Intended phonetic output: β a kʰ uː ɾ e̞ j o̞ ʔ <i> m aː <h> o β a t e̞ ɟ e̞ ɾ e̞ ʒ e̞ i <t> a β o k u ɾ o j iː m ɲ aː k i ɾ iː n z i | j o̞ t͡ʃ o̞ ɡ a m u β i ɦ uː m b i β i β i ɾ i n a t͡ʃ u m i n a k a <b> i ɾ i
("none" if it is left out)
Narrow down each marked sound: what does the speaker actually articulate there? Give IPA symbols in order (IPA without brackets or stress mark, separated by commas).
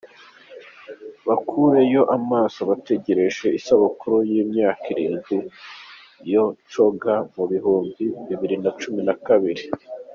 a, s, s, β